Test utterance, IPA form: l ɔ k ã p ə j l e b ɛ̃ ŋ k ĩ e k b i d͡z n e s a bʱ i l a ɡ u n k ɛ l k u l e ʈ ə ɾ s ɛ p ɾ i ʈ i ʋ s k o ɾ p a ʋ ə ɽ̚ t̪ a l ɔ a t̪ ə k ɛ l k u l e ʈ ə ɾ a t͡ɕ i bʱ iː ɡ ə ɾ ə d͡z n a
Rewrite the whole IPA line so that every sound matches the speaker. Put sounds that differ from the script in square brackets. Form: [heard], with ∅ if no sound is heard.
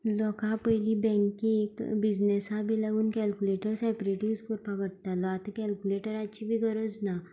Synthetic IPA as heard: l ɔ k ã p ə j l [i] b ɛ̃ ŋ k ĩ e k b i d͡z n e s a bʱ i l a ɡ [uː] n k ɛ l k u l e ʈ ə ɾ s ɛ p ɾ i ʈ i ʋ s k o ɾ p a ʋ ə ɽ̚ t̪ a l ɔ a t̪ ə k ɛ l k u l e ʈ ə ɾ a t͡ɕ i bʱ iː ɡ ə ɾ ə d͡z n a